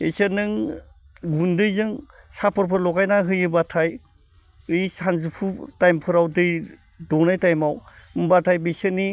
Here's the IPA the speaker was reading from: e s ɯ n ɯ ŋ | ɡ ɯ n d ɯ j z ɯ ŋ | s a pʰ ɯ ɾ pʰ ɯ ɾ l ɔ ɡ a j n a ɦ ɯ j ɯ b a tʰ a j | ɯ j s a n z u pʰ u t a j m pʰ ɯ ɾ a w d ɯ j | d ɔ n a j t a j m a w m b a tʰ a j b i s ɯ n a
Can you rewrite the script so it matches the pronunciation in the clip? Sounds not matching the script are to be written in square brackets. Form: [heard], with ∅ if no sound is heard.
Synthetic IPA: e s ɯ n ɯ ŋ | ɡ [u] n d ɯ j z ɯ ŋ | s a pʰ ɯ ɾ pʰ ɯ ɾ l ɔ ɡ a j n a ɦ ɯ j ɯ b a tʰ a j | ɯ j s a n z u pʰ u t a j m pʰ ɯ ɾ a w d ɯ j | d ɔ n a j t a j m a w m b a tʰ a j b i s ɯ n [i]

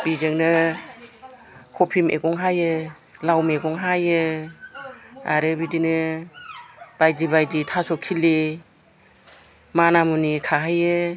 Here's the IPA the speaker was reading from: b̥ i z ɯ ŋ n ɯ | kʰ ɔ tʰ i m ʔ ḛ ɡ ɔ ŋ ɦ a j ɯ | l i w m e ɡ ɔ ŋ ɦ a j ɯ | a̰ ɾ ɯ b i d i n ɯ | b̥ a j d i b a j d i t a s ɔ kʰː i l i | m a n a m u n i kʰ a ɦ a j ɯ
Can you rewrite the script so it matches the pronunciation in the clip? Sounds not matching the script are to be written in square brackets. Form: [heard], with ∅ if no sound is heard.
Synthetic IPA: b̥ i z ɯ ŋ n ɯ | kʰ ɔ [pʰ] i m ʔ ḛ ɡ ɔ ŋ ɦ a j ɯ | l [a] w m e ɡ ɔ ŋ ɦ a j ɯ | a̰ ɾ ɯ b i d i n ɯ | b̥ a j d i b a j d i [tʰ] a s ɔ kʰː i l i | m a n a m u n i kʰ a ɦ a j ɯ

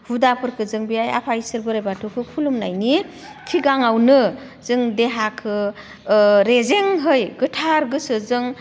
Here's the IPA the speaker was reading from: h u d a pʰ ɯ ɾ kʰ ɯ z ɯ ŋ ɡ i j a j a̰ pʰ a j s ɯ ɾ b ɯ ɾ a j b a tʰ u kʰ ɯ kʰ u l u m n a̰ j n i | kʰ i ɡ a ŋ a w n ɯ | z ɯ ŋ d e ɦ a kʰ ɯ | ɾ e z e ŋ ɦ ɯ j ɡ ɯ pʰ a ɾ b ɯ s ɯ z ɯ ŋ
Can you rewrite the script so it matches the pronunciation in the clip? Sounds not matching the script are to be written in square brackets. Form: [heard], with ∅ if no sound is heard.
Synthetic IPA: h u d a pʰ ɯ ɾ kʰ ɯ z ɯ ŋ [b] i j a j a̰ pʰ a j s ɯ ɾ b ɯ ɾ a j b a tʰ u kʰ ɯ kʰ u l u m n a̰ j n i | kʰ i ɡ a ŋ a w n ɯ | z ɯ ŋ d e ɦ a kʰ ɯ | ɾ e z e ŋ ɦ ɯ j ɡ ɯ [tʰ] a ɾ [ɡ] ɯ s ɯ z ɯ ŋ

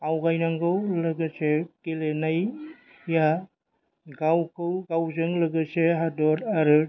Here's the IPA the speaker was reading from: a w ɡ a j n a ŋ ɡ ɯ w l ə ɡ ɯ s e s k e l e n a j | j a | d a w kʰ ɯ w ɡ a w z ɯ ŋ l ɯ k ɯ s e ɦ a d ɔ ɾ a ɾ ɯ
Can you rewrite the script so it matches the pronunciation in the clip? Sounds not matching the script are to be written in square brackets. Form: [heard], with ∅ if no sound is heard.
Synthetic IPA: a w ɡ a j n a ŋ ɡ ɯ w l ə ɡ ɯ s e [∅] k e l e n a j | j a | [ɡ] a w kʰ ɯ w ɡ a w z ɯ ŋ l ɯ [ɡ] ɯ s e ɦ a d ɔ ɾ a ɾ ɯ

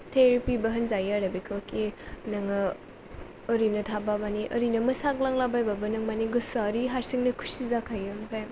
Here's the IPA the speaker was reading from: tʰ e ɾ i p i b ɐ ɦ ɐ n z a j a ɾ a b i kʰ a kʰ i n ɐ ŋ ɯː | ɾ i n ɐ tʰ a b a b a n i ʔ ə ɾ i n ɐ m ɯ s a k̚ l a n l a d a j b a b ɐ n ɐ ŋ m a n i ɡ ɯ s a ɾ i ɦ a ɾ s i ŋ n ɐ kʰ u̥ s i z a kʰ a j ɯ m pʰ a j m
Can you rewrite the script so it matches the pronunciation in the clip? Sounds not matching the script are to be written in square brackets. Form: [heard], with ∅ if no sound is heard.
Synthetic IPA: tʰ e ɾ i p i b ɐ ɦ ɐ n z a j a ɾ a b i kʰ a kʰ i n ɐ ŋ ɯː | ɾ i n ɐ tʰ a b a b a n i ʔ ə ɾ i n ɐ m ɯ s a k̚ l a [ŋ] l a [b] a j b a b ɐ n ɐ ŋ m a n i ɡ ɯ s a ɾ i ɦ a ɾ s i ŋ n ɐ kʰ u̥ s i z a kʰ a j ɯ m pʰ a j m

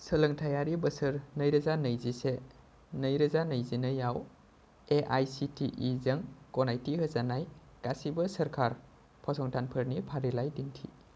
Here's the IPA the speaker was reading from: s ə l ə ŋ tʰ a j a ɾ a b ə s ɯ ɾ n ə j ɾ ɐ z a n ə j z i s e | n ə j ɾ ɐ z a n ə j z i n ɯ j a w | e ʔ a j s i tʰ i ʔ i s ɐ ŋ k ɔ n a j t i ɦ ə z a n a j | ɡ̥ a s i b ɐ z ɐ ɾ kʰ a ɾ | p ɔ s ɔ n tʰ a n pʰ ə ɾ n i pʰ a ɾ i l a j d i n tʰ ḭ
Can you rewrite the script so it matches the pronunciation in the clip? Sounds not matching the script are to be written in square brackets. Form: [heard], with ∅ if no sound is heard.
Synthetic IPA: s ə l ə ŋ tʰ a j a ɾ [i] b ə s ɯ ɾ n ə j ɾ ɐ z a n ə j z i s e | n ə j ɾ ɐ z a n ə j z i n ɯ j a w | e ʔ a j s i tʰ i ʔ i [z] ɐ ŋ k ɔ n a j t i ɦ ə z a n a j | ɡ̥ a s i b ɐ [s] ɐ ɾ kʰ a ɾ | [pʰ] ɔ s ɔ [ŋ] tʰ a n pʰ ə ɾ n i pʰ a ɾ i l a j d i n tʰ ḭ

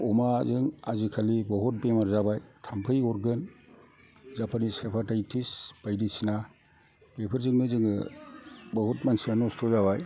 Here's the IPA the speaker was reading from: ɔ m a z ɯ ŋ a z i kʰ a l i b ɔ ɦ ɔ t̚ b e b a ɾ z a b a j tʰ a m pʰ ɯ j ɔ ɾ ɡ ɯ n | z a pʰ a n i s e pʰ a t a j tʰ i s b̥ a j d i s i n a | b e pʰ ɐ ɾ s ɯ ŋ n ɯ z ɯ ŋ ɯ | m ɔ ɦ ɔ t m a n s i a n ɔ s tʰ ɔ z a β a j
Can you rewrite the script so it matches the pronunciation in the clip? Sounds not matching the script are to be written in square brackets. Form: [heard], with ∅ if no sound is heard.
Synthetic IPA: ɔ m a z ɯ ŋ a z i kʰ a l i b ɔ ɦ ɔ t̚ b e [m] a ɾ z a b a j tʰ a m pʰ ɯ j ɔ ɾ ɡ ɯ n | z a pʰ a n i s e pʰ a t a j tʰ i s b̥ a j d i s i n a | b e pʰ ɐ ɾ [z] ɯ ŋ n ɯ z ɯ ŋ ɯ | [b] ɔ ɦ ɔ t m a n s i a n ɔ s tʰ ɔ z a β a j

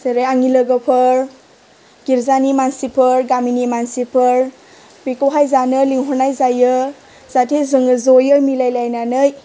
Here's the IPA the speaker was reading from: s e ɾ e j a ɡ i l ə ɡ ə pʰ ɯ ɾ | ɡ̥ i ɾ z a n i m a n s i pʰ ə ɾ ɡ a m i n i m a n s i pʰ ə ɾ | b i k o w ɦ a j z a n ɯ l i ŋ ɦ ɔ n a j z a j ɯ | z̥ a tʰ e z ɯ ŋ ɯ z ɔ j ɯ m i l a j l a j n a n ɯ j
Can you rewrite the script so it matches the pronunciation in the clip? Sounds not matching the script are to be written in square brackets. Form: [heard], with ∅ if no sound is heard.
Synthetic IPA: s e ɾ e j a [ŋ] i l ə ɡ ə pʰ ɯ ɾ | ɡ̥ i ɾ z a n i m a n s i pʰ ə ɾ ɡ a m i n i m a n s i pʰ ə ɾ | b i k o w ɦ a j z a n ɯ l i ŋ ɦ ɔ n a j z a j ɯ | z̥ a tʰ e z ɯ ŋ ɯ z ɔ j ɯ m i l a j l a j n a n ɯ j

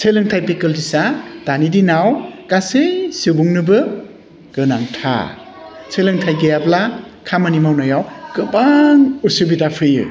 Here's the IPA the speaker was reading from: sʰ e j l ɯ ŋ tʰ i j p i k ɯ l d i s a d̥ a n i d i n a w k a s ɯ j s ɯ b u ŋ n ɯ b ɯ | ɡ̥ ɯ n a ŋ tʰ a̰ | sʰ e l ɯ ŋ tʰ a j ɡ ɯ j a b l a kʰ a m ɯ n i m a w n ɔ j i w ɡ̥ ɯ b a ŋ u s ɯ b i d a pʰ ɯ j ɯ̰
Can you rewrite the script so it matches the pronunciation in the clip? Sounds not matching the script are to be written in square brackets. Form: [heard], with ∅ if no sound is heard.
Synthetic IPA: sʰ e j l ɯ ŋ tʰ [a] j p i k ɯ l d i s a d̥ a n i d i n a w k a s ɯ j s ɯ b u ŋ n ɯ b ɯ | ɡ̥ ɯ n a ŋ tʰ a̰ | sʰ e l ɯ ŋ tʰ a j ɡ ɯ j a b l a kʰ a m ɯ n i m a w n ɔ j [a] w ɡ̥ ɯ b a ŋ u s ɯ b i d a pʰ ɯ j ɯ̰

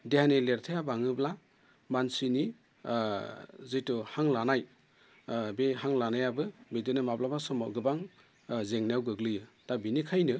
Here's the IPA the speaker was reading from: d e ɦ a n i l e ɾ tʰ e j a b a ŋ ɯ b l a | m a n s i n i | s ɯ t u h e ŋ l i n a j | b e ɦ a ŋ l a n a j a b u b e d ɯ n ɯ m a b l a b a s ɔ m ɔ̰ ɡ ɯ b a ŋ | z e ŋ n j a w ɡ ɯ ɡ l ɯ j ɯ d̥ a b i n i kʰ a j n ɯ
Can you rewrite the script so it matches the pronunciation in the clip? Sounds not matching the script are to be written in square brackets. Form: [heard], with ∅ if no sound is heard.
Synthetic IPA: d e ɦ a n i l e ɾ tʰ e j a b a ŋ ɯ b l a | m a n s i n i | [z] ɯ t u h [a] ŋ l [a] n a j | b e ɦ a ŋ l a n a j a b [ɯ] b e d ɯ n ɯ m a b l a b a s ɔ m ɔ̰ ɡ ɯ b a ŋ | z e ŋ n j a w ɡ ɯ ɡ l ɯ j ɯ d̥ a b i n i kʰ a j n ɯ

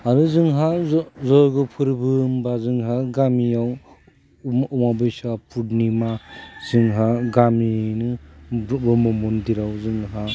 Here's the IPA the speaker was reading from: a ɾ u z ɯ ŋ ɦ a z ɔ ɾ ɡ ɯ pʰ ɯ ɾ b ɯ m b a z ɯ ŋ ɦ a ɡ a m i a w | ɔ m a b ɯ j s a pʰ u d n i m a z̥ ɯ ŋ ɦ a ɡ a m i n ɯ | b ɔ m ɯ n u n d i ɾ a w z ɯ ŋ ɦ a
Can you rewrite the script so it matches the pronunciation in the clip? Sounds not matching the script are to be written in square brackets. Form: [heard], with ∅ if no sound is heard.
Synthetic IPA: a ɾ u z ɯ ŋ ɦ a z ɔ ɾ ɡ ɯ pʰ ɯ ɾ b ɯ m b a z ɯ ŋ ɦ a ɡ a m i a w | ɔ m a b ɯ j s a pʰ u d n i m a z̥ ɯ ŋ ɦ a ɡ a m i n ɯ | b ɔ m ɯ [m] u n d i ɾ a w z ɯ ŋ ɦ a

